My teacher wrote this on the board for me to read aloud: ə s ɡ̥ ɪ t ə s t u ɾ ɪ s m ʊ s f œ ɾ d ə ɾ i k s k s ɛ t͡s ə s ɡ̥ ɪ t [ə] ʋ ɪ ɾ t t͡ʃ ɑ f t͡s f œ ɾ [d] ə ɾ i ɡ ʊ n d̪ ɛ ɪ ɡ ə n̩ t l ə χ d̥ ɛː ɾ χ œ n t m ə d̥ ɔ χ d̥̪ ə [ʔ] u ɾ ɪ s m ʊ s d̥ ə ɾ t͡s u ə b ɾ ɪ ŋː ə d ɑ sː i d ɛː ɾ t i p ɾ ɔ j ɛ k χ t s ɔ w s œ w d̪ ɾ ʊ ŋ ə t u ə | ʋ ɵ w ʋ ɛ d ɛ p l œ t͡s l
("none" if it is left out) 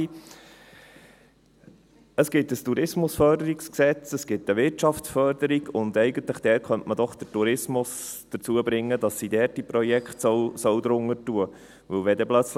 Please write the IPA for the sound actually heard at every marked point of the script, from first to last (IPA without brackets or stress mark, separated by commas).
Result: ə, d, t